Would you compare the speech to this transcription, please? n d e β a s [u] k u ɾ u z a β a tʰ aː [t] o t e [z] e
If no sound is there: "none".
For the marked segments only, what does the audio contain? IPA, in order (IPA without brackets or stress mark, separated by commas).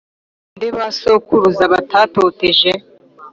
o, t, ʒ